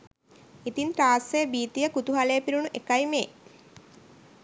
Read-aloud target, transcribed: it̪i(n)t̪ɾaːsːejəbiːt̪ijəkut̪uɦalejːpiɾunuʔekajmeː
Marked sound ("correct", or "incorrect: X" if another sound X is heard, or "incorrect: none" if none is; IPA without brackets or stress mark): correct